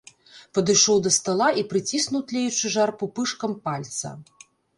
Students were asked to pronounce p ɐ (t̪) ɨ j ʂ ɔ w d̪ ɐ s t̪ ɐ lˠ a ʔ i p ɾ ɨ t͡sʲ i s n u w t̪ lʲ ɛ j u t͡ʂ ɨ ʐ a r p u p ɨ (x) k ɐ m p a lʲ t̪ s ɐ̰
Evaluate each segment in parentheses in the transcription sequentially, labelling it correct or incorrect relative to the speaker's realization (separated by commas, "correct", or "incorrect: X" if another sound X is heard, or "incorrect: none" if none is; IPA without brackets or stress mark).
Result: incorrect: d̪, incorrect: ʂ